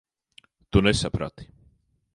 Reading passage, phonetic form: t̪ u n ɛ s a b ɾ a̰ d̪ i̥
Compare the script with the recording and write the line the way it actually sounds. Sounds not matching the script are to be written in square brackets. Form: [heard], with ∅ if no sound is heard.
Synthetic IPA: t̪ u n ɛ s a [p] ɾ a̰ [t̪] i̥